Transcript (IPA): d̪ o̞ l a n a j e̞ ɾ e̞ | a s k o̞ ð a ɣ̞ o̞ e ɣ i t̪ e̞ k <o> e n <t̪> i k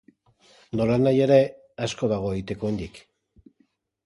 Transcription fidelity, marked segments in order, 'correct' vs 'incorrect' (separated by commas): correct, incorrect